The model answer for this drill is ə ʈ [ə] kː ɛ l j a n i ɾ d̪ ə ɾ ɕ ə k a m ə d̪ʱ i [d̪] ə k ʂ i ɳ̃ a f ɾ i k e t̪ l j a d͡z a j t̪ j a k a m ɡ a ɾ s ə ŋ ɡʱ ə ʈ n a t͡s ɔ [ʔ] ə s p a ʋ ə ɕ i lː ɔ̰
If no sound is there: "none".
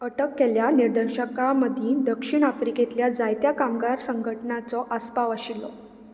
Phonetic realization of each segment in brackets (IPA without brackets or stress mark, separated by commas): ə, d̪, ʔ